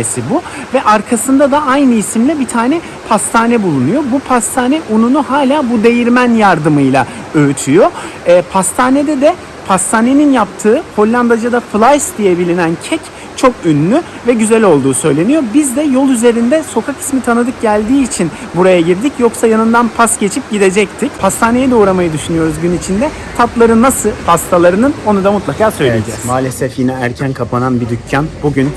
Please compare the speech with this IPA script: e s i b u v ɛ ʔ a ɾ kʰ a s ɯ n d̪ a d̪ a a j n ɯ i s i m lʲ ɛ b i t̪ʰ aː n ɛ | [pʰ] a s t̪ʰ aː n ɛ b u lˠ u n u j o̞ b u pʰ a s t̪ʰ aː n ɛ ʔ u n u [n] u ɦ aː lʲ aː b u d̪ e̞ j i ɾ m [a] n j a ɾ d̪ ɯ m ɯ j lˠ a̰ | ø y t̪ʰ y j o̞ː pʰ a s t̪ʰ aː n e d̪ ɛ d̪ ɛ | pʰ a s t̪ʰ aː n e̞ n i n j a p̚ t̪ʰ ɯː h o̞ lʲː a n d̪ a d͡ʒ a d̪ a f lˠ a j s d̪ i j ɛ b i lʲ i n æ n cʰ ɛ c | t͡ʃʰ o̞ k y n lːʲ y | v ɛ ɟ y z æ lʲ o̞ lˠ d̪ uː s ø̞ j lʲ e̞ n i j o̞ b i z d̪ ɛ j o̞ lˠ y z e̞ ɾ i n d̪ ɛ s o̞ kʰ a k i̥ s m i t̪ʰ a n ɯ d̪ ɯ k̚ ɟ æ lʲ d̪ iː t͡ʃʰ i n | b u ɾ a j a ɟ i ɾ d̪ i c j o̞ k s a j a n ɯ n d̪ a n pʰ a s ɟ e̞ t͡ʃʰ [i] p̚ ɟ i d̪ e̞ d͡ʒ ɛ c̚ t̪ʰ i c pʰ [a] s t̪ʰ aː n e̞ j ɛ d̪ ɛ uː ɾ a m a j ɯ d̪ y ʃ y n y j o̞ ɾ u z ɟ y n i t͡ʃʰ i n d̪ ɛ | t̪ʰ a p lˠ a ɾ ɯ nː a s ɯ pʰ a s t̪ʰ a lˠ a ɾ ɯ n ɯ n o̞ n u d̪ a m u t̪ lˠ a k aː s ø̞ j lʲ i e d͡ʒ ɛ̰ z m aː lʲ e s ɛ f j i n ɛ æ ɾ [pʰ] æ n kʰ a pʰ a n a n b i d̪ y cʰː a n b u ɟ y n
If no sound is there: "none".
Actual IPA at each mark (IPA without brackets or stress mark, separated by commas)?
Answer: pʰ, n, æ, i, a, cʰ